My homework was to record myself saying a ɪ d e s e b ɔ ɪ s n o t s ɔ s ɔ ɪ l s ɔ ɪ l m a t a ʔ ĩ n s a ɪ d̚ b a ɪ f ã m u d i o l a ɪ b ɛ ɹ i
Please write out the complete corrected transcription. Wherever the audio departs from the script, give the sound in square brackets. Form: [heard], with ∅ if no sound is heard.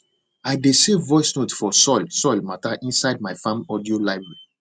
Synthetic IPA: a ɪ d e s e [v] ɔ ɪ s n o t [f] ɔ s ɔ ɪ l s ɔ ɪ l m a t a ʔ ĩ n s a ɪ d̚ [m] a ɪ f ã m [ɔ] d i o l a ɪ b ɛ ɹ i